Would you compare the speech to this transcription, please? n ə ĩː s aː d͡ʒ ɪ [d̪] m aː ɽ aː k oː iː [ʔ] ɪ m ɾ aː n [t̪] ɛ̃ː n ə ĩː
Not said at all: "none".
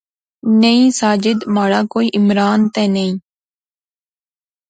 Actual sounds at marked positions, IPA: d̪, ʔ, t̪

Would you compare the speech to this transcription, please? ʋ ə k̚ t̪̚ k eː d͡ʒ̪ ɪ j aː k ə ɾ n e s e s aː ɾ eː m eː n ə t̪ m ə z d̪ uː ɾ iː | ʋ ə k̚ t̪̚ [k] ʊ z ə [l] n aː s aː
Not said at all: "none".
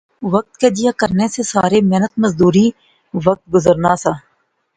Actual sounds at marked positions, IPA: ɡ, ɾ

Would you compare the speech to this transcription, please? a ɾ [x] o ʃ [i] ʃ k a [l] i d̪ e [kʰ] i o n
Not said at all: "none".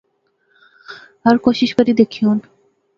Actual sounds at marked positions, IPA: k, i, ɾ, kʰ

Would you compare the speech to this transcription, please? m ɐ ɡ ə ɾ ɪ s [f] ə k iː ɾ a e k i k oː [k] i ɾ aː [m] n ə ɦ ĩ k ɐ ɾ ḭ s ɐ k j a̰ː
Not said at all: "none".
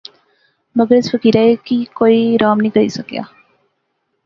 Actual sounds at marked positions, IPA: f, none, m

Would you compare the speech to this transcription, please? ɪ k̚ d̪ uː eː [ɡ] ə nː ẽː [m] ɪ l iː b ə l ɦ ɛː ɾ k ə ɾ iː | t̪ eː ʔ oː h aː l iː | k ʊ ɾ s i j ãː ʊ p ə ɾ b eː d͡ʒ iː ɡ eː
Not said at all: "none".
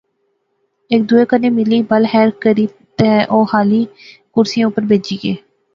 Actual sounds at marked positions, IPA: k, m

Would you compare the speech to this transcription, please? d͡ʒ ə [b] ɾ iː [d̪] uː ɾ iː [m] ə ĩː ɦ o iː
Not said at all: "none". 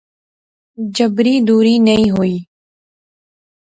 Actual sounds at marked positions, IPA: b, d̪, n

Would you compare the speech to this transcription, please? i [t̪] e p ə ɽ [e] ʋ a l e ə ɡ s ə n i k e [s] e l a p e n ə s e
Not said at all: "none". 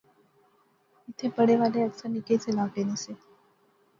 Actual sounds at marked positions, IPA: t̪ʰ, e, t͡s

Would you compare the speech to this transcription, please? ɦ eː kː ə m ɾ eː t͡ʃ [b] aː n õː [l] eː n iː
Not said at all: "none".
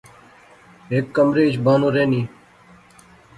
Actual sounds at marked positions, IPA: b, ɾ

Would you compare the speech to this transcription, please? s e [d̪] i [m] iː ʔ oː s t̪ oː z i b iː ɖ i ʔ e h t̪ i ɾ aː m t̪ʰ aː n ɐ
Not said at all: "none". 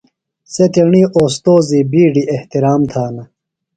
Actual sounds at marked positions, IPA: t̪, ɳ

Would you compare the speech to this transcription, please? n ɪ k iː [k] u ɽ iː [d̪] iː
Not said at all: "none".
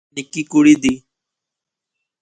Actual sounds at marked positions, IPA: k, d̪

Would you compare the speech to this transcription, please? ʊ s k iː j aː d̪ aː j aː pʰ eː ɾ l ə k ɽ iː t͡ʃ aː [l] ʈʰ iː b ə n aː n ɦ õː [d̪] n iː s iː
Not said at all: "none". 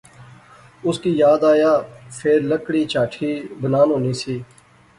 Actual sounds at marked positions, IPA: none, none

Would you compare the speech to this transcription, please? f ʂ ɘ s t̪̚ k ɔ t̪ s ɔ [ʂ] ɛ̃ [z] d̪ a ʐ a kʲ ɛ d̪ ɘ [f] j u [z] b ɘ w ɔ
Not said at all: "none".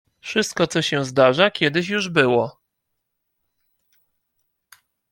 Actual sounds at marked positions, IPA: ɕ, z, ɕ, ʐ

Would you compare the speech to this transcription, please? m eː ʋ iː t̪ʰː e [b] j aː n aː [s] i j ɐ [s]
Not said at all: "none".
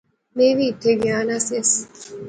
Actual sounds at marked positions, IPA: ɡ, s, s

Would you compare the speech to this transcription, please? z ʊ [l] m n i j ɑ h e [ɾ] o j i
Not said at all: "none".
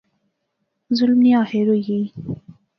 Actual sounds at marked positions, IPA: l, ɾ

